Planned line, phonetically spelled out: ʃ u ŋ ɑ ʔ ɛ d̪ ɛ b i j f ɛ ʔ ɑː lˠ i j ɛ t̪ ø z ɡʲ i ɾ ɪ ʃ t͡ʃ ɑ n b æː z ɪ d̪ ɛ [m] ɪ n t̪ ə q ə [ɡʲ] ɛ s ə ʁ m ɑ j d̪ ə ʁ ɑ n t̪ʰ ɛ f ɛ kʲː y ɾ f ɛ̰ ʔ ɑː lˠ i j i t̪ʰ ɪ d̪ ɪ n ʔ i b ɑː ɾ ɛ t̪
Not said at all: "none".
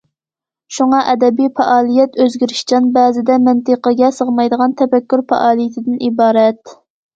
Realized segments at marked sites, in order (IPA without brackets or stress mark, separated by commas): m, ɡʲ